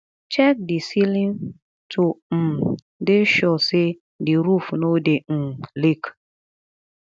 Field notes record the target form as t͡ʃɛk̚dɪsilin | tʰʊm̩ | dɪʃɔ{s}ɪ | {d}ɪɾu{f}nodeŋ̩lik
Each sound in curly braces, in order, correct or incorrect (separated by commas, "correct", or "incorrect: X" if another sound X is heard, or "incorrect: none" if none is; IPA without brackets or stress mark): correct, correct, correct